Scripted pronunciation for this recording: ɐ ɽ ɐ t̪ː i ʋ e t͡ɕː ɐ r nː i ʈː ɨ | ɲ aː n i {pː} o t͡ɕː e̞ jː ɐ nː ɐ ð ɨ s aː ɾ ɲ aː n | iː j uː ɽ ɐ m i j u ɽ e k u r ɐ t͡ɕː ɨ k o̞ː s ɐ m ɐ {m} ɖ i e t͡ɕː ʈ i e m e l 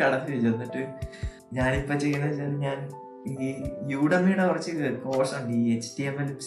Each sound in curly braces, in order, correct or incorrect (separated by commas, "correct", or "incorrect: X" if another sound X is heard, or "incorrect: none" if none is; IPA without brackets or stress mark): correct, incorrect: ɳ